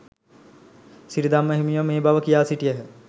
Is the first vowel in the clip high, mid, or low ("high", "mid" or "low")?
high